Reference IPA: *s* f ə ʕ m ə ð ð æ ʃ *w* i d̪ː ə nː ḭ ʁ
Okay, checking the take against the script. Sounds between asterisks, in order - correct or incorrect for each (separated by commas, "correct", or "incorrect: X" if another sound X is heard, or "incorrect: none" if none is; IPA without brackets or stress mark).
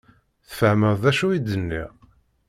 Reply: incorrect: θ, incorrect: u